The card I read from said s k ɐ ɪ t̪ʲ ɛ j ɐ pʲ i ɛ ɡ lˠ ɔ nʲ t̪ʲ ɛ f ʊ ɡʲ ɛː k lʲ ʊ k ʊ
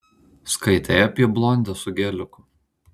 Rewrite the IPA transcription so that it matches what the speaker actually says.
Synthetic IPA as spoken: s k ɐ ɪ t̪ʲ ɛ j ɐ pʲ i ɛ b lˠ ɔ nʲ d̪ʲ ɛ s ʊ ɡʲ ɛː lʲ ʊ k ʊ